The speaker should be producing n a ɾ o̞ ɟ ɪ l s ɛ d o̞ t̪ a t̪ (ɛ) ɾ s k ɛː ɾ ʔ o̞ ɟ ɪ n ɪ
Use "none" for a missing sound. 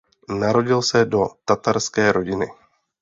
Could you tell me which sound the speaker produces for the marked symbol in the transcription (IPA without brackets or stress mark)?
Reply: a